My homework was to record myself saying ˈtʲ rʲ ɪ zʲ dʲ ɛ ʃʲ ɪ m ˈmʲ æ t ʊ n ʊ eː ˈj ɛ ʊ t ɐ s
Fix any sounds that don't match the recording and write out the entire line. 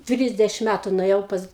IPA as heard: ˈtʲ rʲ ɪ zʲ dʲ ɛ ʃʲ ɪ m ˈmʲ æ t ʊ n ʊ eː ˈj ɛ ʊ p ɐ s